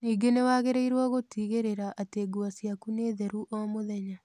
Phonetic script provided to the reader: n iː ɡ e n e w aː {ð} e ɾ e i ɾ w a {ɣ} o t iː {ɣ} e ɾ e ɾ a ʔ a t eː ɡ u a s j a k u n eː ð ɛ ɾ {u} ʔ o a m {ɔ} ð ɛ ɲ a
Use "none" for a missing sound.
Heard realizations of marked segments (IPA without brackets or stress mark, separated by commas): ɣ, ɣ, ɣ, u, o